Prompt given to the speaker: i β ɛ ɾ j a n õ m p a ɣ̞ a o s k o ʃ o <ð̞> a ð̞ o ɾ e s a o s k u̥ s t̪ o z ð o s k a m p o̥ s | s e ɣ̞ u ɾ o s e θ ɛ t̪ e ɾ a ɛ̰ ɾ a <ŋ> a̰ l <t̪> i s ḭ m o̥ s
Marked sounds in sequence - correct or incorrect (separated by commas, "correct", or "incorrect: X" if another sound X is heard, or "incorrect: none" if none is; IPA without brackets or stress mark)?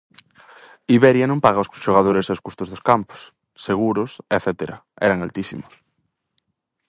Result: incorrect: ɣ̞, correct, correct